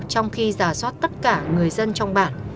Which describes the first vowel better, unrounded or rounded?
rounded